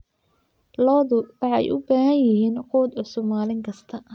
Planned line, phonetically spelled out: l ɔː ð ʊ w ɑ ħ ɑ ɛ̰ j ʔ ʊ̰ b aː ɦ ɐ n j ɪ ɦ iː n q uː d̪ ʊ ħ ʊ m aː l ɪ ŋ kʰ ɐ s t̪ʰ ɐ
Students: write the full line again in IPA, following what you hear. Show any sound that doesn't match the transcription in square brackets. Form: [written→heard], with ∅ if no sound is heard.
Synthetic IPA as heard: l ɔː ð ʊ w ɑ ħ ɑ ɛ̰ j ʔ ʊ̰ b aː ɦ ɐ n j ɪ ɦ iː n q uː d̪ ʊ [ħ→s] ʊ m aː l ɪ ŋ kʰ ɐ s t̪ʰ ɐ